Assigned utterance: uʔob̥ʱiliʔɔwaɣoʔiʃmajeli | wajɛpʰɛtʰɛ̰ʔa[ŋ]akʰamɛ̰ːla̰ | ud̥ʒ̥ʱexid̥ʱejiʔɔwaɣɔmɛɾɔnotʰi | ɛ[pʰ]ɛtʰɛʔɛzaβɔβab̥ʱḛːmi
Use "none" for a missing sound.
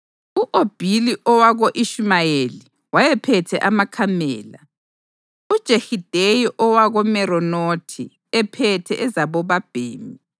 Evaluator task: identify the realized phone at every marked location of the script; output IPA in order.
m, pʰ

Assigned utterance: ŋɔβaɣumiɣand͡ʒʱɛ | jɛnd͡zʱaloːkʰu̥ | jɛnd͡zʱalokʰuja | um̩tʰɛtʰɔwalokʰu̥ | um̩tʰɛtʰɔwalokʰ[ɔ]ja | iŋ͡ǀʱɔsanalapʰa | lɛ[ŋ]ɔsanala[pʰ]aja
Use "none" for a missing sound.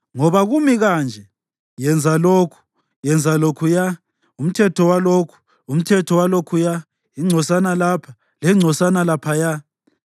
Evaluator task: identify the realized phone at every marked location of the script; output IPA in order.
u, ŋ͡ǀʱ, pʰ

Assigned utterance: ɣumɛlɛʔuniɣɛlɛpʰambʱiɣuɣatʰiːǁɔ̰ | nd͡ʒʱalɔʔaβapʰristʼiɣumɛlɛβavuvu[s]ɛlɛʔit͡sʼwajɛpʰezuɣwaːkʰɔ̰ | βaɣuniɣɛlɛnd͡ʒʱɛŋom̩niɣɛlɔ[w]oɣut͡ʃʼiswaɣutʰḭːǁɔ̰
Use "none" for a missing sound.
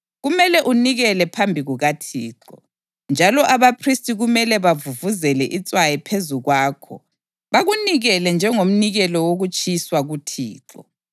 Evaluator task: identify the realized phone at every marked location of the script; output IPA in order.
z, w

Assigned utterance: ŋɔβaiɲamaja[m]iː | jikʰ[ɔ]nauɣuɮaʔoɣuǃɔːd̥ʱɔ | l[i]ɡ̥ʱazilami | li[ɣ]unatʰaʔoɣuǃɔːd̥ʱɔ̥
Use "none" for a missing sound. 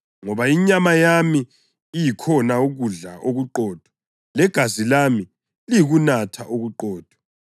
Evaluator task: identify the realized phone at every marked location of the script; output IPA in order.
m, ɔ, ɛ, ɣ

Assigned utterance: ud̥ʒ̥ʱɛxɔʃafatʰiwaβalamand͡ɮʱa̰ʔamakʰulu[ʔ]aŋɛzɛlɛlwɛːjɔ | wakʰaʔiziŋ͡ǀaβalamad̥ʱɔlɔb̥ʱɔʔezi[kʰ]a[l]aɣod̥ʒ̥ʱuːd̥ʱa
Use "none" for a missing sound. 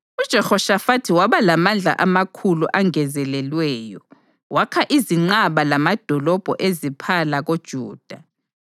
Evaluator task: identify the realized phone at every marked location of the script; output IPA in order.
ʔ, pʰ, l

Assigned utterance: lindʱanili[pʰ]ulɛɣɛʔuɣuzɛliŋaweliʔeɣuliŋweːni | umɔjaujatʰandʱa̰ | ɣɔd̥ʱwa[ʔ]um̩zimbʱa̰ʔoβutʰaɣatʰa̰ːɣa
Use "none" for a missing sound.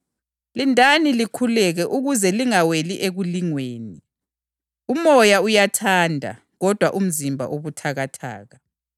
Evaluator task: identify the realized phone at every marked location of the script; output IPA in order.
kʰ, ʔ

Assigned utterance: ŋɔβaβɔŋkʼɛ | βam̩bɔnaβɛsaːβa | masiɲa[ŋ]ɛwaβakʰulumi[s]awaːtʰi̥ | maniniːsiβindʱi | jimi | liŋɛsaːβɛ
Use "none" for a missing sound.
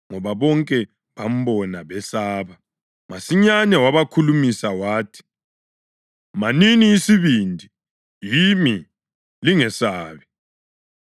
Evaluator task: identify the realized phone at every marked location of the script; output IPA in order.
n, s

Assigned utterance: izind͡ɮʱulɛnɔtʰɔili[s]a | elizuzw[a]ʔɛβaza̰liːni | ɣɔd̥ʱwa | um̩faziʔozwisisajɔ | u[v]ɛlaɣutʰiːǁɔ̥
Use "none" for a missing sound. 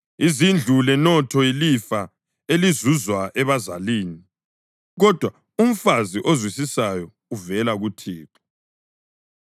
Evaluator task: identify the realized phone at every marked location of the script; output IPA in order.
f, a, v

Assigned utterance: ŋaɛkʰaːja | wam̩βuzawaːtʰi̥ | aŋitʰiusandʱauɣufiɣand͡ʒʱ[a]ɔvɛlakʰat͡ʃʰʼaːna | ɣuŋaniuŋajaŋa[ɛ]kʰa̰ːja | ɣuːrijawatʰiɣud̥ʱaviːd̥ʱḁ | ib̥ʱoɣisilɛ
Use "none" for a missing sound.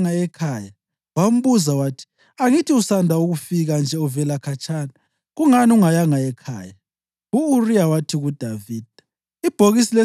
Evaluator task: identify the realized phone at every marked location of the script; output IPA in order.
ɛ, ɛ

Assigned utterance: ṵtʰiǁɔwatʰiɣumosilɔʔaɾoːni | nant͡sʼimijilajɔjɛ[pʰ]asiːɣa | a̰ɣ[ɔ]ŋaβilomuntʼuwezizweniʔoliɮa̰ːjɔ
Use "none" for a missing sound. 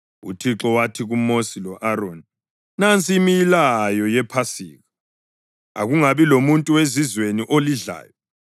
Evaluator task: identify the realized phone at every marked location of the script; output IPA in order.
pʰ, u

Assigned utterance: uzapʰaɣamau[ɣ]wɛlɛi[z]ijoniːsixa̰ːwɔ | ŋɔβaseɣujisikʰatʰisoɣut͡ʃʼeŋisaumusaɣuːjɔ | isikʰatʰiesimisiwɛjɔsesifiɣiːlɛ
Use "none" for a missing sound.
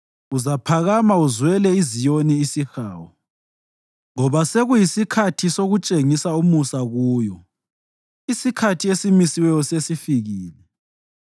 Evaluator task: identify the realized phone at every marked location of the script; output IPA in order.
z, z

